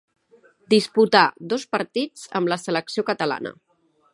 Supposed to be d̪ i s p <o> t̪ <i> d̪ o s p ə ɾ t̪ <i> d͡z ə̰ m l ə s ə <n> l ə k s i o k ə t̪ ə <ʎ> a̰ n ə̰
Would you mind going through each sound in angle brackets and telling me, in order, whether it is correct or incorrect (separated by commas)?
incorrect, incorrect, correct, incorrect, incorrect